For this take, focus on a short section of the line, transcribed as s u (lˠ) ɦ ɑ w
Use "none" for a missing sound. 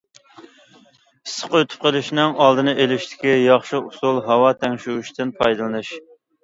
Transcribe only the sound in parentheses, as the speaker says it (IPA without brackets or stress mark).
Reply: lˠ